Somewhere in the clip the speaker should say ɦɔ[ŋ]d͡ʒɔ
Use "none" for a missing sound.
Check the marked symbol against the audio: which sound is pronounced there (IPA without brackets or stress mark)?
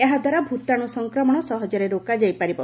none